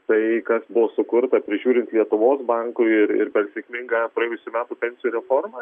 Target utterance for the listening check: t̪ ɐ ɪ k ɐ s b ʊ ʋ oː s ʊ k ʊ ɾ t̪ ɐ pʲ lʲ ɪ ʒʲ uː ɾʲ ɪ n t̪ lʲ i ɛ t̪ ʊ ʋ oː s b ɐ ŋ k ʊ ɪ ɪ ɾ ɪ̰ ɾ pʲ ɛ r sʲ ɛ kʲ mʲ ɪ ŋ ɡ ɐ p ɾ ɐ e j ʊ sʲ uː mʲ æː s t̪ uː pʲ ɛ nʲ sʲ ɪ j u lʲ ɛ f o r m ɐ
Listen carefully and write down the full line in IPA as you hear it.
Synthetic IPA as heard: t̪ ɐ ɪ k ɐ s b ʊ ʋ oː s ʊ k ʊ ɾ t̪ ɐ pʲ ɾʲ ɪ ʒʲ uː ɾʲ ɪ n t̪ lʲ i ɛ t̪ ʊ ʋ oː s b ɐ ŋ k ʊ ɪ ɪ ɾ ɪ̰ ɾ pʲ ɛ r sʲ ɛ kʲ mʲ ɪ ŋ ɡ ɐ p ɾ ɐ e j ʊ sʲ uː mʲ æː t̪ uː pʲ ɛ nʲ sʲ ɪ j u ɾʲ ɛ f o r m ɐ